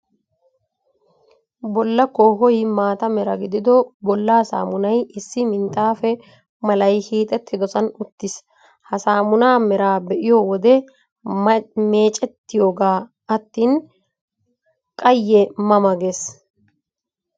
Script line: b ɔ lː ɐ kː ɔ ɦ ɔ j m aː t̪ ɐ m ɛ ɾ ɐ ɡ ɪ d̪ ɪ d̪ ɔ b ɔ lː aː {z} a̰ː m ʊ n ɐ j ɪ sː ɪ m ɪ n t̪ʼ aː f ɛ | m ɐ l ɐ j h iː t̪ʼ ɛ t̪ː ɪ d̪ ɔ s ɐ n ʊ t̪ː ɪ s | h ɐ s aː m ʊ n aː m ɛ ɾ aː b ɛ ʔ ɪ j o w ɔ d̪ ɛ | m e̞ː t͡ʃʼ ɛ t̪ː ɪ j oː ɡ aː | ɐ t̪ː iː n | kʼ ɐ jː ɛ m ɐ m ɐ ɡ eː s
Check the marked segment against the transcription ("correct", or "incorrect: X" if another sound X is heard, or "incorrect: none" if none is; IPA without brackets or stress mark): incorrect: s